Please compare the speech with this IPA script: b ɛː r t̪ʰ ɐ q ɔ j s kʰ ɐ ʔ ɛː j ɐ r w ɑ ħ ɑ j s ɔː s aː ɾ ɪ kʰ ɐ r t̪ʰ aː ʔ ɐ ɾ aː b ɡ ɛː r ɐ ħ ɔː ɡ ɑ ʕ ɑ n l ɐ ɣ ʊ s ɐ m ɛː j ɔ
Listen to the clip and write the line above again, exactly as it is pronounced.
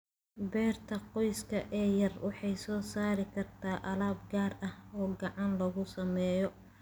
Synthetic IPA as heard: b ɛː r t̪ʰ ɐ q ɔ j s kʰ ɐ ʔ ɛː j ɐ r w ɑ ħ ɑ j s ɔː s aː ɾ ɪ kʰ ɐ r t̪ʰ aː ʔ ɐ l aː b ɡ aː r ɐ h ɔː ɡ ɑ ʕ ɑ n l ɐ ɣ ʊ s ɐ m ɛː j ɔ